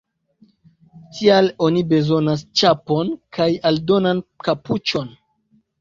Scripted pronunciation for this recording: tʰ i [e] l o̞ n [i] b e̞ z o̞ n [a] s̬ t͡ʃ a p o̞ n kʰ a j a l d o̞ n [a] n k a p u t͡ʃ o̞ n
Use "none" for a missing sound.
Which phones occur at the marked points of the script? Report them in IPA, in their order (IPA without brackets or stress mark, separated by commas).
a, i, a, a